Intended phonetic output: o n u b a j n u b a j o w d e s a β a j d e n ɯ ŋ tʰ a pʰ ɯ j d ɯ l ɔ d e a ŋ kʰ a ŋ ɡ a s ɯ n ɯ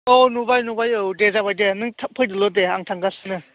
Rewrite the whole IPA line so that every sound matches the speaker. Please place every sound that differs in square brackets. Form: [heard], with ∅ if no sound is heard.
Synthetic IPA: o n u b a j n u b a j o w d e [z] a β a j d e n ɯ ŋ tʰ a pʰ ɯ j d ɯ l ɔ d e a ŋ [tʰ] a ŋ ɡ a s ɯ n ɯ